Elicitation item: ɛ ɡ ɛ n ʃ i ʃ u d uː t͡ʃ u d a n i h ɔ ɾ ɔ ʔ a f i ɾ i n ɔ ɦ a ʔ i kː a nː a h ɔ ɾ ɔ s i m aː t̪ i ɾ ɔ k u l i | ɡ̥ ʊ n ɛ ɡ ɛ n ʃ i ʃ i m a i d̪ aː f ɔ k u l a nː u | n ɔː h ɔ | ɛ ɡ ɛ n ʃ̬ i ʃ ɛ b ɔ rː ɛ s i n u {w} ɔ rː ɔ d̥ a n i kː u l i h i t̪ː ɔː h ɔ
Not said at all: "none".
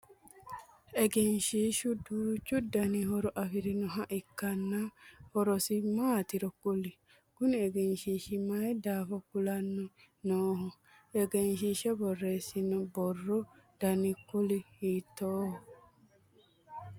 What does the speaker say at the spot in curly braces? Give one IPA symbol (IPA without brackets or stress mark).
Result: b